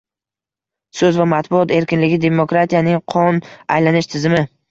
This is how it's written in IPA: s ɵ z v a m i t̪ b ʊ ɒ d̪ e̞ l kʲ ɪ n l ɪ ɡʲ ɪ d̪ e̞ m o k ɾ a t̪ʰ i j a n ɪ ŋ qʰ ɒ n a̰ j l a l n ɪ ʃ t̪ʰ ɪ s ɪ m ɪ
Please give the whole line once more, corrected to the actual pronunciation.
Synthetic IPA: s ɵ z v a m a t̪ b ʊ ɒ t̪ e̞ ɾ kʲ ɪ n l ɪ ɡʲ ɪ d̪ e̞ m o k ɾ a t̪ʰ i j a n ɪ ŋ qʰ ɒ n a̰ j l a n ɪ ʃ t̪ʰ ɪ z ɪ m ɪ